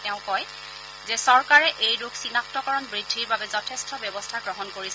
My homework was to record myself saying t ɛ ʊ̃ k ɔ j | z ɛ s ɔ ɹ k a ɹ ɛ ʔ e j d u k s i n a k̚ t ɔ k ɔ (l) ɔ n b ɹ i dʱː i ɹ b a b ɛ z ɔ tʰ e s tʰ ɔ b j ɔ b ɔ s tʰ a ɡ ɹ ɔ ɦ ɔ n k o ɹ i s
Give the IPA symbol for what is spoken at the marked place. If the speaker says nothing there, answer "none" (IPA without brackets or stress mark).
ɹ